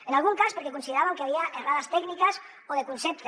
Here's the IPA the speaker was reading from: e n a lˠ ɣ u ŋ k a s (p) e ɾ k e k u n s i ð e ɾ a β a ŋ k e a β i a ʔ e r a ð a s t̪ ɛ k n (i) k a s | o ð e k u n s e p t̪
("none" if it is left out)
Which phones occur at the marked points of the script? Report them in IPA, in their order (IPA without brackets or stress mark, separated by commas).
p, i